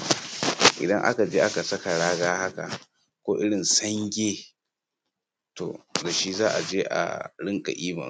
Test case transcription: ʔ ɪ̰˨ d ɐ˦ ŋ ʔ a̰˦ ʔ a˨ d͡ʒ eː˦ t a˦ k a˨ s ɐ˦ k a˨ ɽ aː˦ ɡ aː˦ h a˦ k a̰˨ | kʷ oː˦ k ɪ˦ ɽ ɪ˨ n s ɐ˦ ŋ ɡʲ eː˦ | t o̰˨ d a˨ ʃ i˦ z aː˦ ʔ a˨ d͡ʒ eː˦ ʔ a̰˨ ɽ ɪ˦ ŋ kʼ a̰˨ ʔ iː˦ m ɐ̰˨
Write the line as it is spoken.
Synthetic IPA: ʔ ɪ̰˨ d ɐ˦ ŋ ʔ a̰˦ k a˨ d͡ʒ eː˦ ʔ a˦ k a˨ s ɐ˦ k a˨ ɽ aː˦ ɡ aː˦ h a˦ k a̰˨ | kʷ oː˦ ʔ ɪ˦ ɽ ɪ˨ n s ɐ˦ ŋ ɡʲ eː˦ | t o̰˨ d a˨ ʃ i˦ z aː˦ ʔ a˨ d͡ʒ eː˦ ʔ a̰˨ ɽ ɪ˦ ŋ kʼ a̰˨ ʔ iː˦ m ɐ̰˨